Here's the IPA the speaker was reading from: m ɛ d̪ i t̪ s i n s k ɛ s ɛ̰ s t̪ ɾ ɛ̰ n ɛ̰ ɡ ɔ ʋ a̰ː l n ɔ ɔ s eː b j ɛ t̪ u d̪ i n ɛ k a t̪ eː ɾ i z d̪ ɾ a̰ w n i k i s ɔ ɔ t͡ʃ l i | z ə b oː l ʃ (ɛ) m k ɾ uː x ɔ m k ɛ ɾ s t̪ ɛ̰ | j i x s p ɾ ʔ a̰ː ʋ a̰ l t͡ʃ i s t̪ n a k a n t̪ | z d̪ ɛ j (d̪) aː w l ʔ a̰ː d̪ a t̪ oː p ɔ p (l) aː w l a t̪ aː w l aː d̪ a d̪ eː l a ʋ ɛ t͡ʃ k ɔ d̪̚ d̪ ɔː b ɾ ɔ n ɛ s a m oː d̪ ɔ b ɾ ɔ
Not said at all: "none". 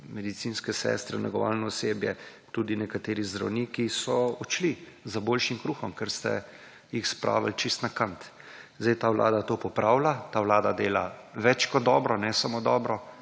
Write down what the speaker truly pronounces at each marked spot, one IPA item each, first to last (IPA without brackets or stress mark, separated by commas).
i, t̪, ɾ